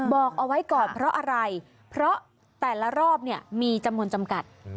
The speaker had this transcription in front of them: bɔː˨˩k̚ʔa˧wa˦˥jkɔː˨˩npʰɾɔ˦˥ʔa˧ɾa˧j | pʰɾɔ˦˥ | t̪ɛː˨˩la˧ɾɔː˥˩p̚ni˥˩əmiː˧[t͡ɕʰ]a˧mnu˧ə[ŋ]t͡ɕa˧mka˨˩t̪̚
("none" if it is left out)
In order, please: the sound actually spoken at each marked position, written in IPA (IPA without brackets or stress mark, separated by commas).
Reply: t͡ɕ, n